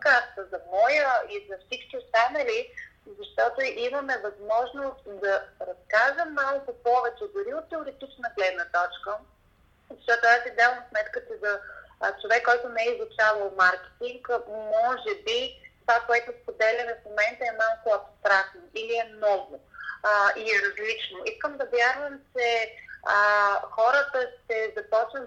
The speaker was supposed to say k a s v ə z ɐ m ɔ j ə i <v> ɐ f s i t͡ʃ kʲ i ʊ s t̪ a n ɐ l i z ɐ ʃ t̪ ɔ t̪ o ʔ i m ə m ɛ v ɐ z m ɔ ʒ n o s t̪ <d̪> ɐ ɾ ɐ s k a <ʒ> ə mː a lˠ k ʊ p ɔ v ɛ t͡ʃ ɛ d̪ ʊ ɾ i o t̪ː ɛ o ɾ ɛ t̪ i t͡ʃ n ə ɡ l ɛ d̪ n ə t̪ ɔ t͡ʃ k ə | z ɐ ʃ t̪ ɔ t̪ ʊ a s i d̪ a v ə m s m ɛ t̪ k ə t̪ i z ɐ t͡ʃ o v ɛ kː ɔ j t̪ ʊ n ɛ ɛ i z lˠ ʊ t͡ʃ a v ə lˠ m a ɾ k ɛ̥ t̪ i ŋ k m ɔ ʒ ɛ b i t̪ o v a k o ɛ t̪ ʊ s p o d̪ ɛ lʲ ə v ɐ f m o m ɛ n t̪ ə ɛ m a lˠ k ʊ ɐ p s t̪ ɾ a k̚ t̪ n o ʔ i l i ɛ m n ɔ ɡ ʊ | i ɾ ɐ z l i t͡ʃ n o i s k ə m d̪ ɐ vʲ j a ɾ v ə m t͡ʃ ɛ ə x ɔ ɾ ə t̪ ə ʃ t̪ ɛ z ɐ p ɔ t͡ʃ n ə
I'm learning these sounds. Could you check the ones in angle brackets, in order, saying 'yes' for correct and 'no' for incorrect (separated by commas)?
no, yes, yes